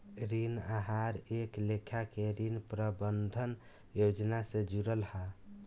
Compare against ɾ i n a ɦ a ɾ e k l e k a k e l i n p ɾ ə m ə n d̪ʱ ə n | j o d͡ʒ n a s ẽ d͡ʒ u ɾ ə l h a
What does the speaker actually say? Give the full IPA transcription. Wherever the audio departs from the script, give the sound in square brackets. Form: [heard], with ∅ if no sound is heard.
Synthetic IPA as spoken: ɾ i n a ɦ a ɾ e k l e [kʰ] a k e [ɾ] i n p ɾ ə [b] ə n d̪ʱ ə n | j o d͡ʒ n a s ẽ d͡ʒ u ɾ ə l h a